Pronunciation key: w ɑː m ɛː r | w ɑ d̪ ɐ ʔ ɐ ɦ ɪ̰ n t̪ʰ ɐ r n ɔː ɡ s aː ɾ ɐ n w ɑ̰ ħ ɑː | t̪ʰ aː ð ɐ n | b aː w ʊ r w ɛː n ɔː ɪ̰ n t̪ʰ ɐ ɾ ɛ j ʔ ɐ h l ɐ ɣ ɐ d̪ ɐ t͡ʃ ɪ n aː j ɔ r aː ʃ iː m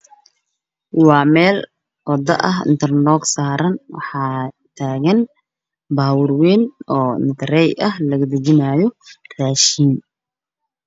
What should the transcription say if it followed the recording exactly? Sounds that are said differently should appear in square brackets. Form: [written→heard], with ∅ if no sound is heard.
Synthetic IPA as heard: w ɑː m ɛː [r→l] | w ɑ d̪ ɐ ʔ ɐ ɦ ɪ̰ n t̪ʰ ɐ r n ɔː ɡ s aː ɾ ɐ n w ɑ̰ ħ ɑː | t̪ʰ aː [ð→ɣ] ɐ n | b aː w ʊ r w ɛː n ɔː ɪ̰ n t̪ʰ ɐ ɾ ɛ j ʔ ɐ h l ɐ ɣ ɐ d̪ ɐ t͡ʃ ɪ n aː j ɔ r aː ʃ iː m